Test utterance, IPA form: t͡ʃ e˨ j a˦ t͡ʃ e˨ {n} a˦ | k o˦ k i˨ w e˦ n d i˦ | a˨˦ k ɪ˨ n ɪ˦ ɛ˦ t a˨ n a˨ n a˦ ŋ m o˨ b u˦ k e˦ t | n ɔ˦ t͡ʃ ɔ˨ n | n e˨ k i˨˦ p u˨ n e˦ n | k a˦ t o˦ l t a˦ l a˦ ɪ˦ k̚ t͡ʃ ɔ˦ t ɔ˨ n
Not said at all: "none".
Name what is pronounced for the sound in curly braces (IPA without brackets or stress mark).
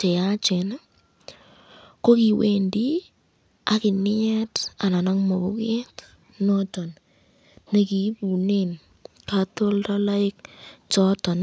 n